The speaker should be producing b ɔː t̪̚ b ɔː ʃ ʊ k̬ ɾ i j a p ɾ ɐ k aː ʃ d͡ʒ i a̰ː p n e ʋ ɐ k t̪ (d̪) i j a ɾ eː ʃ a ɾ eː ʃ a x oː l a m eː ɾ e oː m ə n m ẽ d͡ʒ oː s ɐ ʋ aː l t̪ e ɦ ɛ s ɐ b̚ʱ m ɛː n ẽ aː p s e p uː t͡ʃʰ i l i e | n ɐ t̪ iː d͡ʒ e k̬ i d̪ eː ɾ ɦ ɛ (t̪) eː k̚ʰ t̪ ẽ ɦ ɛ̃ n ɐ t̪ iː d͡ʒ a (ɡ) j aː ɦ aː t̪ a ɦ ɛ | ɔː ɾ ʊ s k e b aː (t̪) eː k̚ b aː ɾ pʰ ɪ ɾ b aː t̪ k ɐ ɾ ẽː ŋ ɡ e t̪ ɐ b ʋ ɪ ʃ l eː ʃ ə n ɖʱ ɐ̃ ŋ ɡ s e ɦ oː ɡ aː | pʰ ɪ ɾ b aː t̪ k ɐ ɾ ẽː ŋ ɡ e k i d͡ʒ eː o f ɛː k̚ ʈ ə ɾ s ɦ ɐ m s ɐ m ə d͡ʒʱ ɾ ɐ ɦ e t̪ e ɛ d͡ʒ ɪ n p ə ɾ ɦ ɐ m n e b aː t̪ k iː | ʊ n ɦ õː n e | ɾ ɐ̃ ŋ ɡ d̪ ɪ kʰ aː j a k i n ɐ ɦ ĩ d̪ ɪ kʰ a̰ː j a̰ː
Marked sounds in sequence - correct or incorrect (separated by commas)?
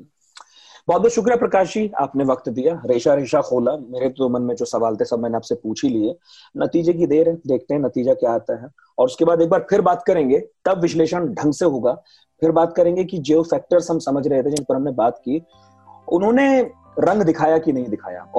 correct, incorrect, incorrect, incorrect